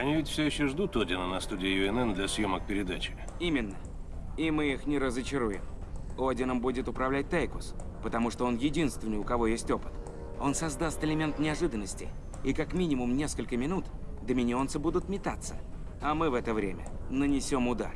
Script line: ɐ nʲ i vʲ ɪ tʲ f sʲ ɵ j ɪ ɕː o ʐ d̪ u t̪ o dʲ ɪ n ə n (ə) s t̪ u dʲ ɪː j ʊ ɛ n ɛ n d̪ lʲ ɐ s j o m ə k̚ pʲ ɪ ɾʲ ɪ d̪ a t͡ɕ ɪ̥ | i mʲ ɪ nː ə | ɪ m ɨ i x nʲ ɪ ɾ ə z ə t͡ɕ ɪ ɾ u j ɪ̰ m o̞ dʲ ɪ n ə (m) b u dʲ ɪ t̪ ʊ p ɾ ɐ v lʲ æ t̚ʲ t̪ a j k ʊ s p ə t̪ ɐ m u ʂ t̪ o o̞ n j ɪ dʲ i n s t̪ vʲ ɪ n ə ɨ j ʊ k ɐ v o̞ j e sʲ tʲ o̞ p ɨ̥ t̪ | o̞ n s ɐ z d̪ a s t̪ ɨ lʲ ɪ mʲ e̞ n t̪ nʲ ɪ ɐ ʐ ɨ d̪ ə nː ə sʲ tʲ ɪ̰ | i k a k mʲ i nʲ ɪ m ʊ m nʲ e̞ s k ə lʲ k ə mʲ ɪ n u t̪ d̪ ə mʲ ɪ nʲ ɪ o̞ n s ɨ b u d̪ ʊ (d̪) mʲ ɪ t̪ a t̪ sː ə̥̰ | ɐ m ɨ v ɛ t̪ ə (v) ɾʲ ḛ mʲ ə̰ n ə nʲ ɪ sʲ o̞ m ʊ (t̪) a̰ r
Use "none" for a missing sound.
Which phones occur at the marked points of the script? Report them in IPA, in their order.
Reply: ɐ, m, t̪, v, d̪

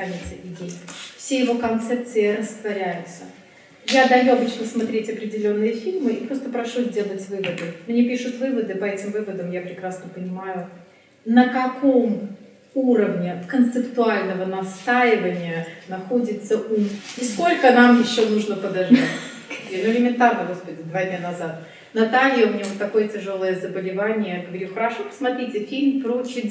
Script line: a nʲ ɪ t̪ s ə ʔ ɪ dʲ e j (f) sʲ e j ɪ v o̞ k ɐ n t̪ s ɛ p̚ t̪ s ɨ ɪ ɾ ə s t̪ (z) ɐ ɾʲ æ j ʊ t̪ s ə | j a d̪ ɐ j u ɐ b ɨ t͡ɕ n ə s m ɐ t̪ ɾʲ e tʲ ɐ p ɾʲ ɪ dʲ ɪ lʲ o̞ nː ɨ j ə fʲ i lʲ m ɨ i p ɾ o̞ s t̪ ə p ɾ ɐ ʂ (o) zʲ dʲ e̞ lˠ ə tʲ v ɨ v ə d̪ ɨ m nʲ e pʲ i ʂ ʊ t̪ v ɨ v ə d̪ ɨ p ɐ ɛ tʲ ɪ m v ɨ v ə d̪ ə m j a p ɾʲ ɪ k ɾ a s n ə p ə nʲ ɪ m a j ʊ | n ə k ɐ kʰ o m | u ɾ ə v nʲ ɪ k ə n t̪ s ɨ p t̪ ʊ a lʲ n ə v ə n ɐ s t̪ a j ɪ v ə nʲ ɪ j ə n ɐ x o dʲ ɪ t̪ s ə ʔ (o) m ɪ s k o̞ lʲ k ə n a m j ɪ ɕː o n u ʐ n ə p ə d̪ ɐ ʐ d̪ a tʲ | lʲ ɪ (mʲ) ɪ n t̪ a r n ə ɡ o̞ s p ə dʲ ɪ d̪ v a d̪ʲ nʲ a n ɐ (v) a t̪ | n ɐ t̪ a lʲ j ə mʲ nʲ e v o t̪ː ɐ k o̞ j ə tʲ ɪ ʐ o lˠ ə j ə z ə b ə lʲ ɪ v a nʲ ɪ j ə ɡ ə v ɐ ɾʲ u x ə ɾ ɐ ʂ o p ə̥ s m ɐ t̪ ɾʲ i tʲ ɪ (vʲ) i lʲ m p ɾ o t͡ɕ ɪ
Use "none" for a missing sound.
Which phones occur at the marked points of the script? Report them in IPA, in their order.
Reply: f, v, u, u, mʲ, z, fʲ

